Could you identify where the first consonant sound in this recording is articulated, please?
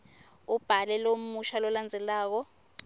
labial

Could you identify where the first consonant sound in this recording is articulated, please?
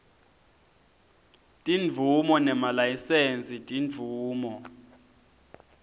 alveolar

